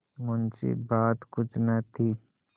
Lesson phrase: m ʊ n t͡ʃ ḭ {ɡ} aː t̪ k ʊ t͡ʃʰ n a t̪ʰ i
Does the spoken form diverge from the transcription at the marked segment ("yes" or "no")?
yes